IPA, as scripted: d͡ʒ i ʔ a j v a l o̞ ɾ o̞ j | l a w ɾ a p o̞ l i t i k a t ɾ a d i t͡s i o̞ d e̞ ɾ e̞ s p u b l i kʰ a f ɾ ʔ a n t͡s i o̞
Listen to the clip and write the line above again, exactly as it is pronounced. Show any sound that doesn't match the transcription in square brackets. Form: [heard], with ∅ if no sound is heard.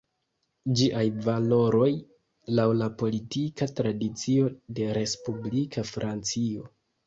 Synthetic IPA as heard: d͡ʒ i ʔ a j v a l o̞ ɾ o̞ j | l a w [l] a p o̞ l i t i k a t ɾ a d i t͡s i o̞ d e̞ ɾ e̞ s p u b l i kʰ a f ɾ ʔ a n t͡s i o̞